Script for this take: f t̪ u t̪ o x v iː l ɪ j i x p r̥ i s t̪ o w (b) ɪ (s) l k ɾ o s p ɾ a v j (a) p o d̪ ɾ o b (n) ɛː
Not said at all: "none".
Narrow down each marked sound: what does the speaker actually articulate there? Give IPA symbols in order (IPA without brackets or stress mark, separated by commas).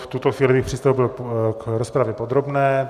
b, none, ɛ, n